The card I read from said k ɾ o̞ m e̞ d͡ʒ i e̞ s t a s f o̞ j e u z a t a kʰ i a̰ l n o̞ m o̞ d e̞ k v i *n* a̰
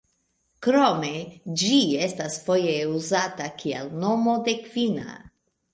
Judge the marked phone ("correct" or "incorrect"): correct